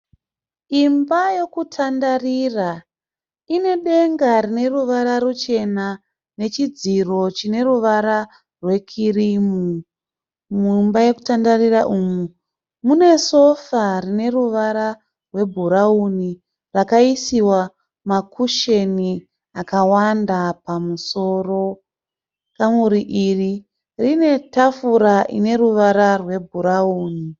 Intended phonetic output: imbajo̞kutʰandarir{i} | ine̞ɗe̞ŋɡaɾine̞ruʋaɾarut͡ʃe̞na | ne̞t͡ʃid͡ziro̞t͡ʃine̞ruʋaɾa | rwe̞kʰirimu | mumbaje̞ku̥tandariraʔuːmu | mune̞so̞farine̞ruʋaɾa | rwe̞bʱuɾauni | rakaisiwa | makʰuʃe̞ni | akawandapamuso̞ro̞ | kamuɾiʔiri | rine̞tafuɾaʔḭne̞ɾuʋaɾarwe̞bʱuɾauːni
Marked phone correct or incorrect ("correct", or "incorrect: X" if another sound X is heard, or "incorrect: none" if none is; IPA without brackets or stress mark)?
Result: incorrect: a